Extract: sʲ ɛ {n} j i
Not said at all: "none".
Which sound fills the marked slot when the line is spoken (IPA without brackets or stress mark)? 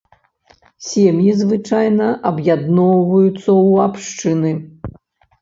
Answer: m